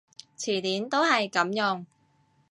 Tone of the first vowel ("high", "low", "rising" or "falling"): low